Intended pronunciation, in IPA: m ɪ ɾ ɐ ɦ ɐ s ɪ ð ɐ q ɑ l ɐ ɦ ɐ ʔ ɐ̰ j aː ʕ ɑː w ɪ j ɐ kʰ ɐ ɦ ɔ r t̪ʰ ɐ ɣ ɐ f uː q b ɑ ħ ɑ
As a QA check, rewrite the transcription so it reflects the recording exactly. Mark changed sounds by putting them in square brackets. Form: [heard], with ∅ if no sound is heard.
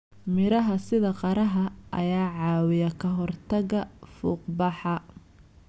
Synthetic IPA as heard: m ɪ ɾ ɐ ɦ ɐ s ɪ ð ɐ q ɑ [ɾ] ɐ ɦ ɐ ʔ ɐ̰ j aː ʕ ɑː w ɪ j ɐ kʰ ɐ ɦ ɔ r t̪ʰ ɐ ɣ ɐ f uː q b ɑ ħ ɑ